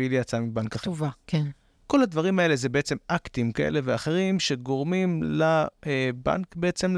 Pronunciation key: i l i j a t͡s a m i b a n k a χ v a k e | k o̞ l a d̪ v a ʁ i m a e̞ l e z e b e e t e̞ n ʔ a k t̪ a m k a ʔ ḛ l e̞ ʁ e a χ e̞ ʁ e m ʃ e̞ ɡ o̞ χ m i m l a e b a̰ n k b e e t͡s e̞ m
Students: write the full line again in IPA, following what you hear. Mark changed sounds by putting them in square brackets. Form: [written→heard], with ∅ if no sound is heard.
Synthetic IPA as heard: i l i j a t͡s a m i b a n k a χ v a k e | k o̞ l a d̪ v a ʁ i m a e̞ l e z e b e e [t→t͡s] e̞ [n→m] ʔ a k t̪ [a→i] m k a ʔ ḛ l e̞ [ʁ→v] e a χ e̞ ʁ [e→i] m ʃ e̞ ɡ o̞ [χ→ʁ] m i m l a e b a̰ n k b e e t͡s e̞ m